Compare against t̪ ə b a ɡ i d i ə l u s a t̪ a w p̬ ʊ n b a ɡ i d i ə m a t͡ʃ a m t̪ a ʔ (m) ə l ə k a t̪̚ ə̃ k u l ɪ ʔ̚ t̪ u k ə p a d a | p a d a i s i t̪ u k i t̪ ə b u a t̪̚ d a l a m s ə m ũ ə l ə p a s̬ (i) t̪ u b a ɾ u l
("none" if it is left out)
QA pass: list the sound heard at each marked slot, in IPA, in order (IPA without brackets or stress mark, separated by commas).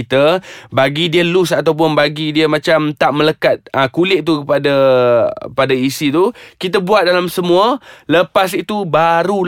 m, i